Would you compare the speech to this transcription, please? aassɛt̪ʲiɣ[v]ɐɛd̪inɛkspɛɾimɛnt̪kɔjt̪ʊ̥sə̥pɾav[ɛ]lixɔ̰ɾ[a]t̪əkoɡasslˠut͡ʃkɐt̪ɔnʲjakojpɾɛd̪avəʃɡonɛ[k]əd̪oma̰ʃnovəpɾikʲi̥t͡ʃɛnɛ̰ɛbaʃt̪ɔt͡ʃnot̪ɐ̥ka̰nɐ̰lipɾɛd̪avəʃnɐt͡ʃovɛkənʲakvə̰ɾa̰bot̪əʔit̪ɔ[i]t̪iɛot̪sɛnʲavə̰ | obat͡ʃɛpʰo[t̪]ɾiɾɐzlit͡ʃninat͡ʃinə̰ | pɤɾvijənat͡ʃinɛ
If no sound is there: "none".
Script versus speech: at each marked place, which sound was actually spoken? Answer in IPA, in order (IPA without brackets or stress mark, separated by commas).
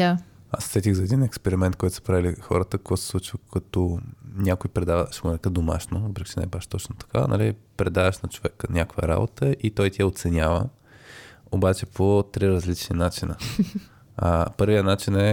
z, i, ə, k, j, t̪